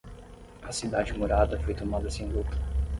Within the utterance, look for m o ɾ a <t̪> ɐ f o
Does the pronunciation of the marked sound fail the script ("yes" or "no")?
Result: yes